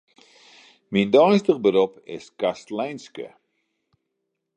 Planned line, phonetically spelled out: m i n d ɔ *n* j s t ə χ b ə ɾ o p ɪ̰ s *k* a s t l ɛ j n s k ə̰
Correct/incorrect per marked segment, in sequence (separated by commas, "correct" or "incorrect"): incorrect, correct